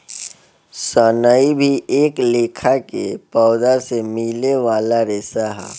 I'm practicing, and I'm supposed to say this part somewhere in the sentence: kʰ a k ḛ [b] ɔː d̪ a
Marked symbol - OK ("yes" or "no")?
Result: no